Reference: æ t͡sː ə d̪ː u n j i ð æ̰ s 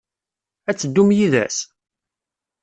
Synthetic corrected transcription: æ t͡sː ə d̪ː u m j i ð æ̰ s